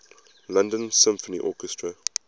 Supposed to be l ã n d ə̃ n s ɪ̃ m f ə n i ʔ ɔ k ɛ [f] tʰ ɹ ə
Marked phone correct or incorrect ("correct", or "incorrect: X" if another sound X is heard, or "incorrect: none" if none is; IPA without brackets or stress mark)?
incorrect: s